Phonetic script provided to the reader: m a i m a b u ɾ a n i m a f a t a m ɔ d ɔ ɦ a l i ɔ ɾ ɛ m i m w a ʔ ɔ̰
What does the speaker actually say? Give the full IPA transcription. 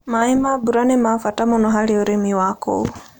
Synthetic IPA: m a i m a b u ɾ a n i m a f a t a m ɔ n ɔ ɦ a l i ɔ ɾ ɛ m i w a k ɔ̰